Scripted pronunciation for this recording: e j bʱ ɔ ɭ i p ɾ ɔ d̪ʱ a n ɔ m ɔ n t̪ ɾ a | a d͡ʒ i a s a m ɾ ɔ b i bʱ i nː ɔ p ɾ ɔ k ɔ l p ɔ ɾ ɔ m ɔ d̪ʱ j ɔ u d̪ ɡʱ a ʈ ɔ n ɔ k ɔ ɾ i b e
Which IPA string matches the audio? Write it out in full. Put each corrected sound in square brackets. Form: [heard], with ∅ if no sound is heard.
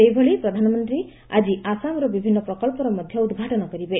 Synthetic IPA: e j bʱ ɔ ɭ i p ɾ ɔ d̪ʱ a n ɔ m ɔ n t̪ ɾ [i] | a d͡ʒ i a s a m ɾ ɔ b i bʱ i nː ɔ p ɾ ɔ k ɔ l p ɔ ɾ ɔ m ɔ d̪ʱ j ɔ u d̪ ɡʱ a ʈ ɔ n ɔ k ɔ ɾ i b e